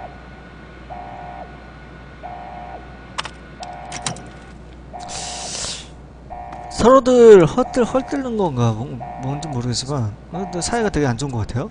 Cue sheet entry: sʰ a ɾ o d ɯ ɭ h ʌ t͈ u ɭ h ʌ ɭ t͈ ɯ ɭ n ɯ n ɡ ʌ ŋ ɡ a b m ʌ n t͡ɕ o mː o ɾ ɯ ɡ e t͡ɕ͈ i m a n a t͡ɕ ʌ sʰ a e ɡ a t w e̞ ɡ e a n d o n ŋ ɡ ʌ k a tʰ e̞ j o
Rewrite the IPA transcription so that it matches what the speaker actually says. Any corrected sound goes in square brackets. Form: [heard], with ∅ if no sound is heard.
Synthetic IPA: sʰ [ʌ] ɾ o d ɯ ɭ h ʌ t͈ [ɯ] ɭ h ʌ ɭ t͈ ɯ ɭ n ɯ n ɡ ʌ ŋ ɡ a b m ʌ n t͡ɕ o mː o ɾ ɯ ɡ e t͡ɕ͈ i m a n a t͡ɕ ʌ sʰ a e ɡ a t w e̞ ɡ e a n [d͡ʑ] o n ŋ ɡ ʌ k a tʰ e̞ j o

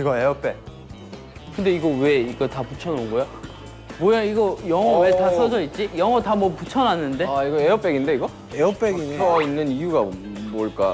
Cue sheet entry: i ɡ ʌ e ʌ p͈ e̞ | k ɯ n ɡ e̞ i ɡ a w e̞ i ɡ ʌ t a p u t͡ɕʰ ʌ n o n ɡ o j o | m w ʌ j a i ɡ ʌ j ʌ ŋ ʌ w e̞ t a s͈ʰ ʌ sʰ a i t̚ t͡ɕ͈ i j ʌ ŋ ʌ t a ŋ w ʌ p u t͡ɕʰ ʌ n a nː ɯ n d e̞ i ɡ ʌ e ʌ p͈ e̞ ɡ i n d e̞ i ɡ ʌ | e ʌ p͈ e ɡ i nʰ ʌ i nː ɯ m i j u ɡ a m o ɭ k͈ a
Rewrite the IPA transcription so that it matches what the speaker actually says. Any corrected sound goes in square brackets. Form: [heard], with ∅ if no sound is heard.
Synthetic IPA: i ɡ ʌ e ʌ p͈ e̞ | k ɯ n [d] e̞ i ɡ [ʌ] w e̞ i ɡ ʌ t a p u t͡ɕʰ ʌ n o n ɡ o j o | m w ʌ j a i ɡ ʌ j ʌ ŋ ʌ w e̞ t a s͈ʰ ʌ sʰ [ʌ] i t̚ t͡ɕ͈ i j ʌ ŋ ʌ t a [m] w ʌ p u t͡ɕʰ ʌ n a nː ɯ n d e̞ i ɡ ʌ e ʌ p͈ e̞ ɡ i n d e̞ i ɡ ʌ | e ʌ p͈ e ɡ i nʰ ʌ i nː ɯ [n] i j u ɡ a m o ɭ k͈ a

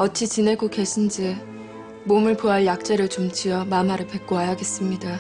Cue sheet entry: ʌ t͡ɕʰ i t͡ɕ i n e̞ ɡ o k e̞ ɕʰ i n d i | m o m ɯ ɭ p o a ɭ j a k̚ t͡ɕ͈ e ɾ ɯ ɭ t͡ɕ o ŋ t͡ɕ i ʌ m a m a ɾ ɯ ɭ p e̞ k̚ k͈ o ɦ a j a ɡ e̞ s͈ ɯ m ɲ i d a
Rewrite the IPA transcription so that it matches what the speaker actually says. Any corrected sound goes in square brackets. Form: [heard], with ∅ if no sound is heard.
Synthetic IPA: ʌ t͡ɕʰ i t͡ɕ i n e̞ ɡ o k e̞ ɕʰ i n [d͡ʑ] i | m o m ɯ ɭ p o a ɭ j a k̚ t͡ɕ͈ e ɾ ɯ ɭ t͡ɕ o [m] t͡ɕ i ʌ m a m a ɾ ɯ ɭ p e̞ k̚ k͈ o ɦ a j a ɡ e̞ s͈ ɯ m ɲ i d a

